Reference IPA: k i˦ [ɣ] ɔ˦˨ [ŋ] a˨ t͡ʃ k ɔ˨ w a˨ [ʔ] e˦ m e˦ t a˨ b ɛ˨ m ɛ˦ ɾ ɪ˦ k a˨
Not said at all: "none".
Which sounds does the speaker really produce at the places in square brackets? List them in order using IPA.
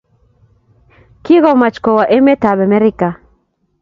ɣ, m, ʔ

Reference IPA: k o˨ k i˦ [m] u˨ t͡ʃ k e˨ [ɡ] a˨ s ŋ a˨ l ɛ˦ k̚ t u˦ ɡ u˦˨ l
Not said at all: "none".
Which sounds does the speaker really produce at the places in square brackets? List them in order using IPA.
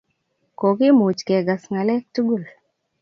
m, ɡ

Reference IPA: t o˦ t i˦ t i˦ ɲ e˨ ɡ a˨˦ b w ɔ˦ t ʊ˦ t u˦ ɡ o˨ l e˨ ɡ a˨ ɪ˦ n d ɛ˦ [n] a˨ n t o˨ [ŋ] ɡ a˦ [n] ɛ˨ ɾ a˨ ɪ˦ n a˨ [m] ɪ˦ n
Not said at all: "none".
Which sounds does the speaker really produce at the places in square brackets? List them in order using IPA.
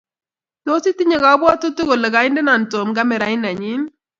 n, m, m, ɲ

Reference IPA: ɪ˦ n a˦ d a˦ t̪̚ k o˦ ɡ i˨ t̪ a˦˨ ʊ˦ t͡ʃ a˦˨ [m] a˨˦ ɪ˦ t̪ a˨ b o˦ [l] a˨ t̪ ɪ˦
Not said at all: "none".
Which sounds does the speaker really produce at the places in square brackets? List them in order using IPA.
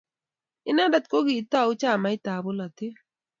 m, l

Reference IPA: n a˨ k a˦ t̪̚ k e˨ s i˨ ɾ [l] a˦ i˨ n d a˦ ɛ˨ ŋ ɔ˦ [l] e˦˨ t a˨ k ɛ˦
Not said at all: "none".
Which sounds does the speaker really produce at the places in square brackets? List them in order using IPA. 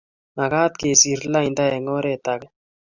l, ɾ

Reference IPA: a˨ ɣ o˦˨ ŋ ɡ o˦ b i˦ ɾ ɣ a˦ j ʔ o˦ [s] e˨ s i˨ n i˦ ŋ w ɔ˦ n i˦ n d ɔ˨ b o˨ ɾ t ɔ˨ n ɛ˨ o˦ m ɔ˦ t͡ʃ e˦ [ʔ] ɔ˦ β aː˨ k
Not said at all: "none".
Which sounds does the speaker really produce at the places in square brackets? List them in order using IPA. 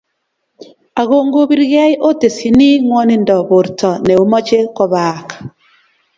t, k

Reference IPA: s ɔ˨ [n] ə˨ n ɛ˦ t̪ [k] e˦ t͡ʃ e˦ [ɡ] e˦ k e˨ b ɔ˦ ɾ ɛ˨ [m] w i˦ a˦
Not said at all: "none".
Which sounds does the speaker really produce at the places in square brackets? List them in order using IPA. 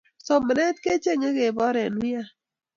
m, k, ŋ, n

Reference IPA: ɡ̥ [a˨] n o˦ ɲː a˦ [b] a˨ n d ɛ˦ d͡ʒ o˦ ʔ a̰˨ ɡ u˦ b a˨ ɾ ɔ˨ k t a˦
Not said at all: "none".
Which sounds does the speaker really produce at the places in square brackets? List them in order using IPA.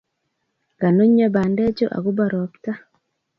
a˨, b

